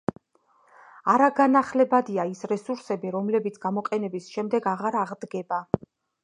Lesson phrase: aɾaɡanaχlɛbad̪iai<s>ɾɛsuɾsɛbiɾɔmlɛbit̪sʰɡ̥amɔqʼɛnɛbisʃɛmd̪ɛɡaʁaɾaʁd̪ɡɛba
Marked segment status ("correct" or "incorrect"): correct